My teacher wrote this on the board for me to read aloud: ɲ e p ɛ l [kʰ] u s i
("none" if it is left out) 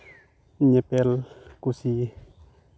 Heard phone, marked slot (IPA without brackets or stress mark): k